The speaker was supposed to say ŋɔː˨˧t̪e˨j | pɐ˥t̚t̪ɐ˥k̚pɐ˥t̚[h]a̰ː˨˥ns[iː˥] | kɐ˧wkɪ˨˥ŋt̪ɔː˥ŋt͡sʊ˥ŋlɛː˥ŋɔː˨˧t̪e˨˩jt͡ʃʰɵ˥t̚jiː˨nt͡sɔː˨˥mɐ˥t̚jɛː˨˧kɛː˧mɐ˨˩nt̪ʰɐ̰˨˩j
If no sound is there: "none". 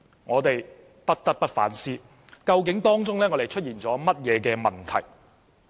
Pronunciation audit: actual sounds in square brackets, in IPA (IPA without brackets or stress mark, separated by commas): f, iː˥